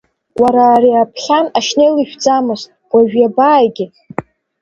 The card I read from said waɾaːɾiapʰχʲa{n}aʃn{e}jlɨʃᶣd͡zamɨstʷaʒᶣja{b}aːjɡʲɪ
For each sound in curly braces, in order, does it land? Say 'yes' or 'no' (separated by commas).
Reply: yes, yes, yes